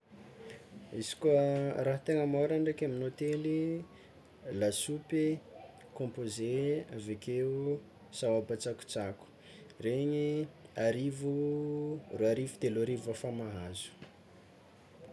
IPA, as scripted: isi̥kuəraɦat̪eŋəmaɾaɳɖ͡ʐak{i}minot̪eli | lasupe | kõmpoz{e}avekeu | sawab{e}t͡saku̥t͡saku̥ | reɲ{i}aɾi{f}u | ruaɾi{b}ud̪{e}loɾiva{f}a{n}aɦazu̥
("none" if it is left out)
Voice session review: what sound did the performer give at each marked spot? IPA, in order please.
a, e, a, i, v, v, e, f, m

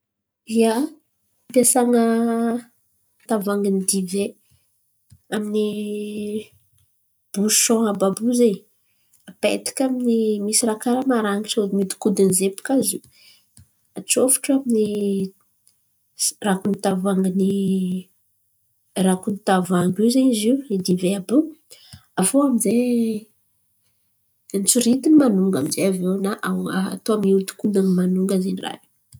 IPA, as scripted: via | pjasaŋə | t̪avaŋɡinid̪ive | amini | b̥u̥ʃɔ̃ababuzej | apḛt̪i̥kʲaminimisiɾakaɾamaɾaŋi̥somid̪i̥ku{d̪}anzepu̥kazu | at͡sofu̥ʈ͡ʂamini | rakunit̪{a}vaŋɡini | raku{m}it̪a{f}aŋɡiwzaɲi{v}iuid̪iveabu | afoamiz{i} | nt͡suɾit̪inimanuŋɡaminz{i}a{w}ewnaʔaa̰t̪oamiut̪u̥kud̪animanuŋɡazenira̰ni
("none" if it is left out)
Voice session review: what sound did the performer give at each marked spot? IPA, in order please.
d̪, a, n, v, z, e, e, v

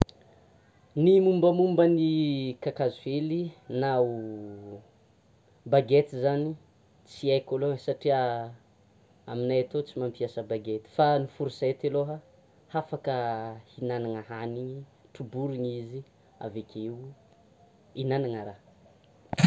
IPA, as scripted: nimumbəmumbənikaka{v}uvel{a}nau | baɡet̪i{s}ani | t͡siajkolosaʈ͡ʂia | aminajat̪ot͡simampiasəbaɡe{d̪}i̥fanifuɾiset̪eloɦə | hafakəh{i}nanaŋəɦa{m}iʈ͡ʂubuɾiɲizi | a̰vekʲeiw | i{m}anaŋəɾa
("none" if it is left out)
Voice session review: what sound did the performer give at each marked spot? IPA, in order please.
z, i, z, t̪, i, n, n

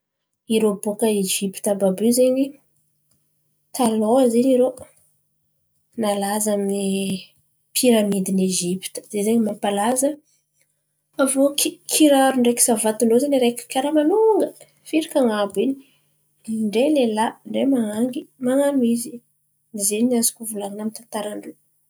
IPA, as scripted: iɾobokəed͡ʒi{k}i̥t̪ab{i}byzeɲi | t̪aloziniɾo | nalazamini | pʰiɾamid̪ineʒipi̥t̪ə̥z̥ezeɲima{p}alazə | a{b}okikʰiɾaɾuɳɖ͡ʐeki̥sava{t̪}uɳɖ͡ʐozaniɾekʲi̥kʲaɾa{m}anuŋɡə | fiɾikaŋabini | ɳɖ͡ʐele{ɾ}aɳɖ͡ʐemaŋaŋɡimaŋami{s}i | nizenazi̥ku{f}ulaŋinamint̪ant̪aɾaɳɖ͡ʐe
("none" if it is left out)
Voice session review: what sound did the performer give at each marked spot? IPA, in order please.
p, a, p, v, t̪, m, l, z, v

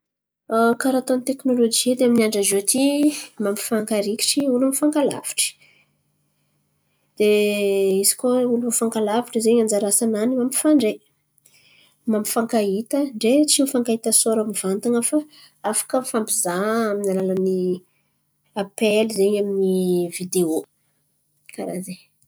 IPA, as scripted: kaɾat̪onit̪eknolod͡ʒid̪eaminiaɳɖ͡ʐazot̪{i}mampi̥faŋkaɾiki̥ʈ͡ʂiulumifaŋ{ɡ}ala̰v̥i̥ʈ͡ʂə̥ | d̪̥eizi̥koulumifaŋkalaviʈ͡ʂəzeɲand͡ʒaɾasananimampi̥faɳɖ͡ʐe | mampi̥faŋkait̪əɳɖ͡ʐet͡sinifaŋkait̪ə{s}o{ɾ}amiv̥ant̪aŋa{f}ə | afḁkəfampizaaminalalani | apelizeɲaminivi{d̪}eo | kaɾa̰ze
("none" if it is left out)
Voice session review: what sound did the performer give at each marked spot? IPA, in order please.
i, k, s, ɾ, f, d̪

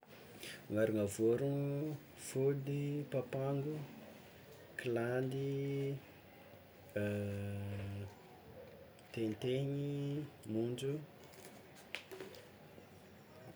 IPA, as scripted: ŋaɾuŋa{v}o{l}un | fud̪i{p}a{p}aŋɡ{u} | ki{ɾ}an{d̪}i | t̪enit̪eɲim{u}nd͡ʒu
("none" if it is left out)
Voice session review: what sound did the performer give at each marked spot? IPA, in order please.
v, ɾ, p, p, u, l, d̪, u

